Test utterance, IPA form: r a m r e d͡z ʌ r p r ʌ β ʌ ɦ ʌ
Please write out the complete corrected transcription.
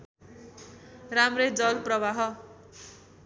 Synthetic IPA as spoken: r a m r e d͡z ʌ l p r ʌ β a ɦ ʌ